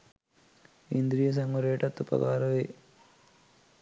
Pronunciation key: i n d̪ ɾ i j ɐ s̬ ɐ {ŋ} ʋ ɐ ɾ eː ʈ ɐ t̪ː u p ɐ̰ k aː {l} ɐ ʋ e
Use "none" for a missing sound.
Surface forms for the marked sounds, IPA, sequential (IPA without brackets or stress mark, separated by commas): ŋ, ɾ